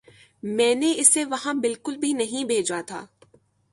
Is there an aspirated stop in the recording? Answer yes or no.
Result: yes